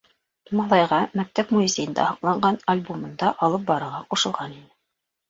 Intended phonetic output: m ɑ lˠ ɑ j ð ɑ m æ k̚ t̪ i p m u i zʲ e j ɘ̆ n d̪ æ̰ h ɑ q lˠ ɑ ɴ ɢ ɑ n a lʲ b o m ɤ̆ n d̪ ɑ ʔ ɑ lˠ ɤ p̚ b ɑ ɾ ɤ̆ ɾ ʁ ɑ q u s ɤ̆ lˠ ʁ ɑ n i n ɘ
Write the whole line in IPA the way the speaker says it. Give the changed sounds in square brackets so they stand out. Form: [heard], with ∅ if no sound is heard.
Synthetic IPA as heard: m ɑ lˠ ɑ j [ʁ] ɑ m æ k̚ t̪ [æ] p m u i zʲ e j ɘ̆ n d̪ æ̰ h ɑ q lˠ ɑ ɴ ɢ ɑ n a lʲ b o m ɤ̆ n d̪ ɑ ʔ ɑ lˠ ɤ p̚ b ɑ ɾ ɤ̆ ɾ ʁ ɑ q u [ʃ] ɤ̆ lˠ ʁ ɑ n i n ɘ